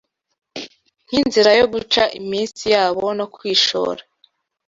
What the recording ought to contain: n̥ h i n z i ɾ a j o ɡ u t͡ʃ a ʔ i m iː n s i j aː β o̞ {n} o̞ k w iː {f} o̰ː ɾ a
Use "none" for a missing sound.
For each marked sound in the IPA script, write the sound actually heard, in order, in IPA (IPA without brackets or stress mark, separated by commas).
n, ʃ